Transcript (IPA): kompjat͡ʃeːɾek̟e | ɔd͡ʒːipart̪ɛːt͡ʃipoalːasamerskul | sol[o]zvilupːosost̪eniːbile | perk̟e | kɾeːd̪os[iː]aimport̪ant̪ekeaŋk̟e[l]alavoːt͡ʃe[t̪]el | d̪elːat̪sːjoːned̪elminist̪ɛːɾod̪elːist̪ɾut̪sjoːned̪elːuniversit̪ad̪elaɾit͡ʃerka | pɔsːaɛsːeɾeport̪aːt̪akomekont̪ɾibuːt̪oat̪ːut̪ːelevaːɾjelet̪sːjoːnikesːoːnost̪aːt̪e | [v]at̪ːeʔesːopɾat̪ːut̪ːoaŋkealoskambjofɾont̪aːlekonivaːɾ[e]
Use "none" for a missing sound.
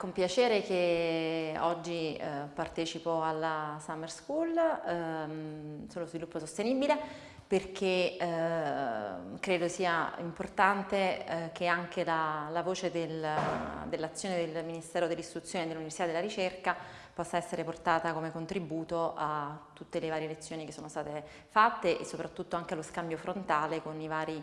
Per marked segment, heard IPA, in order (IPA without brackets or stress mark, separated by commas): o, iː, l, d̪, f, i